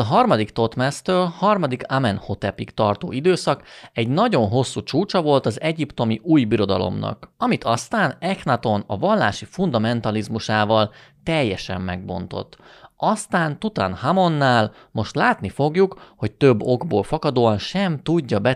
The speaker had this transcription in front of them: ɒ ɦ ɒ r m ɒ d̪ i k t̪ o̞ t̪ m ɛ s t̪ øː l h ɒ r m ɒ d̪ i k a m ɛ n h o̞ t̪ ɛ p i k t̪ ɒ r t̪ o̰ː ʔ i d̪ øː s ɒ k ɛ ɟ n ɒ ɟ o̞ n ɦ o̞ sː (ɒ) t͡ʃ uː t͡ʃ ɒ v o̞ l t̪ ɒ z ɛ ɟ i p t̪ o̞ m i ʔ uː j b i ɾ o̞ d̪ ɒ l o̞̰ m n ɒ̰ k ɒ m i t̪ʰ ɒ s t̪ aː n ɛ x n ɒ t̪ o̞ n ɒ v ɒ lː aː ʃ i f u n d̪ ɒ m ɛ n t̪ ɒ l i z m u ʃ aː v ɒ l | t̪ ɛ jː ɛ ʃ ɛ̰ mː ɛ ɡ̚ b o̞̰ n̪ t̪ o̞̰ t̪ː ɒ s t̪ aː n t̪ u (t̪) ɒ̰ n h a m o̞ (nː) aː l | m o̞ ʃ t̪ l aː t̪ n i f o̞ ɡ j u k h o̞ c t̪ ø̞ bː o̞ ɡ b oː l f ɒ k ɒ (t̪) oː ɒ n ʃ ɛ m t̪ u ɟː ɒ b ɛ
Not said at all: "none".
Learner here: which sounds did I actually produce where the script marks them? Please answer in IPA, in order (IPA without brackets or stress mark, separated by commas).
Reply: u, t̪, nː, d̪